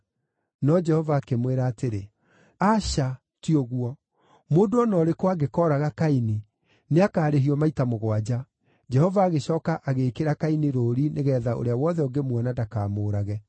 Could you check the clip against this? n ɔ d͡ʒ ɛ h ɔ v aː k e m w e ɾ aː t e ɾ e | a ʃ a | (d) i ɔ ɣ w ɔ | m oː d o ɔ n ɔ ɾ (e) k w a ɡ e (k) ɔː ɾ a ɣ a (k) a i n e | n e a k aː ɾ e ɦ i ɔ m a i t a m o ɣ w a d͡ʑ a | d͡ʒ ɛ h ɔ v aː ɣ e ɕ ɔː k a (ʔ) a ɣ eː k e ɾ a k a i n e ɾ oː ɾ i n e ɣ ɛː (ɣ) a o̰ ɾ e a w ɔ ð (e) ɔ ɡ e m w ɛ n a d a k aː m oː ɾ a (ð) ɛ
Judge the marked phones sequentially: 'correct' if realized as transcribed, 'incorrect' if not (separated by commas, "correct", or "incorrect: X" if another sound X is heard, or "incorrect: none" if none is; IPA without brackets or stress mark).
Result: incorrect: t, correct, correct, correct, correct, incorrect: ð, incorrect: ɛ, incorrect: ɣ